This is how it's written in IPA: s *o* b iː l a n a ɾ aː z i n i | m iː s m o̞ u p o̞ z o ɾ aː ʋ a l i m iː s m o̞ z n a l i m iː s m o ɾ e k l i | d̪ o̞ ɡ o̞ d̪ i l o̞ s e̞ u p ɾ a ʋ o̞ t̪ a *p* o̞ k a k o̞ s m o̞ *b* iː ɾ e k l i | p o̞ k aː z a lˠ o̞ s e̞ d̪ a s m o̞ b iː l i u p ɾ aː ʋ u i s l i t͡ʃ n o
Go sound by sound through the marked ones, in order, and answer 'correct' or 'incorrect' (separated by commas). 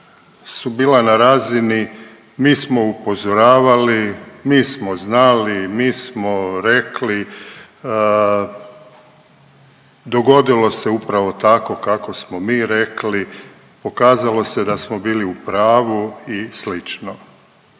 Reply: incorrect, incorrect, incorrect